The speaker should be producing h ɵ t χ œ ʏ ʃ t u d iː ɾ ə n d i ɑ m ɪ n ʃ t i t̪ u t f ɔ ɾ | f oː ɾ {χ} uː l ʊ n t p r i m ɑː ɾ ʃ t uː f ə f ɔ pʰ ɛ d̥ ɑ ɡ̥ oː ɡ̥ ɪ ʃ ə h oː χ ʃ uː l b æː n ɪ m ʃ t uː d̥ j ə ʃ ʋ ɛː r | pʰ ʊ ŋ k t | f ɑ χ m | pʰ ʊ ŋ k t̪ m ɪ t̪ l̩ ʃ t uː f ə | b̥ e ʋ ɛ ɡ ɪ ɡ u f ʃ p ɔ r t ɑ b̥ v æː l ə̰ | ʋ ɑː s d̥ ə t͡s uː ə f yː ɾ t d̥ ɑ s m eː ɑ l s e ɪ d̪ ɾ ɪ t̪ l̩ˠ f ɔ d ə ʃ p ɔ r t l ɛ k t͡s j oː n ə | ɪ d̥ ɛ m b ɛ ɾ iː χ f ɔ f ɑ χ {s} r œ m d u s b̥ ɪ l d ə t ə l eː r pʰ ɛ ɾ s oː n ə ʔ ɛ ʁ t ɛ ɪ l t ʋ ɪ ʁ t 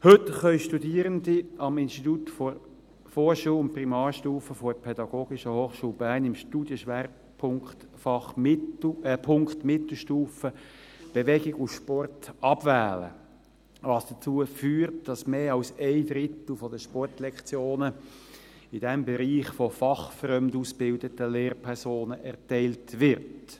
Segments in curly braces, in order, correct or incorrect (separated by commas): incorrect, incorrect